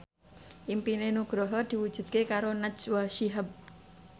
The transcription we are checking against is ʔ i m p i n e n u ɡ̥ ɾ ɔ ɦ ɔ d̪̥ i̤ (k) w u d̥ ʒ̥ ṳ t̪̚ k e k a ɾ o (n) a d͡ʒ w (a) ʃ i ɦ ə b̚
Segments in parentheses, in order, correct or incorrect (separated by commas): incorrect, correct, correct